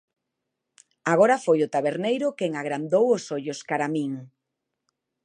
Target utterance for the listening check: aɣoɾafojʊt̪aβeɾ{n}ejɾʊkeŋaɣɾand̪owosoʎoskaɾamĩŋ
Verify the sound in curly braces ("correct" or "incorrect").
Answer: correct